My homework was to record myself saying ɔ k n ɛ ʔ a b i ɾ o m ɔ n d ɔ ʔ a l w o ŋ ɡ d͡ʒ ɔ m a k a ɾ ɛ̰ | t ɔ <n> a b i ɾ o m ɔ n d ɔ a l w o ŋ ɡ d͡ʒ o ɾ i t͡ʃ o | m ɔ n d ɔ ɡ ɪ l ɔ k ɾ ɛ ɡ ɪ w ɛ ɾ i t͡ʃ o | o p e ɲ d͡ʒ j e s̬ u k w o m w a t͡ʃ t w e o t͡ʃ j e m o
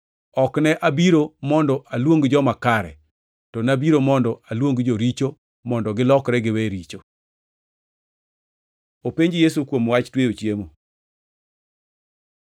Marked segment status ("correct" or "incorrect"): correct